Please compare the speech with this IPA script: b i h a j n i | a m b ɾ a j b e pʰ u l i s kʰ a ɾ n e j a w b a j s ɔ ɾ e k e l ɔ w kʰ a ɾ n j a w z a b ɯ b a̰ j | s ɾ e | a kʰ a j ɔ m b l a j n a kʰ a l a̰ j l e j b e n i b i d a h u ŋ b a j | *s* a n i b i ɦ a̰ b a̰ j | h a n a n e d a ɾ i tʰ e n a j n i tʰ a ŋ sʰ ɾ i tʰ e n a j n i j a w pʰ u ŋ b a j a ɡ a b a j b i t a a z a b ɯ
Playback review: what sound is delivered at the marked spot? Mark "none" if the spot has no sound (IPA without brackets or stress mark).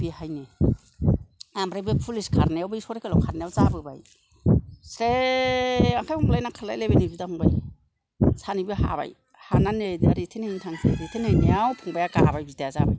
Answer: s